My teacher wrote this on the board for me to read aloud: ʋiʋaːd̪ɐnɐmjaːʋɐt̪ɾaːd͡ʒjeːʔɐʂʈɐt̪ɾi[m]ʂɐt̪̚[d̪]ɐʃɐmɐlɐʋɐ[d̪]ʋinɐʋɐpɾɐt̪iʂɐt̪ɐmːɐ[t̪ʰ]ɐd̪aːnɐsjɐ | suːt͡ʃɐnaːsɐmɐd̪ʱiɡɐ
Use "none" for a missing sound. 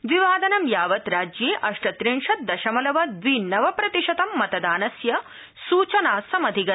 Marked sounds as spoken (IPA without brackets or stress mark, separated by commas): ɳ, d̪, d̪, t̪